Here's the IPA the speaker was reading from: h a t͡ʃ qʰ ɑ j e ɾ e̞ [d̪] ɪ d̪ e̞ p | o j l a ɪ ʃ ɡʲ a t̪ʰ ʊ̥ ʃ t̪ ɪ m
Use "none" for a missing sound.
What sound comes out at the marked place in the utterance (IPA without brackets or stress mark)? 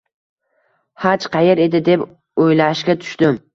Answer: d̪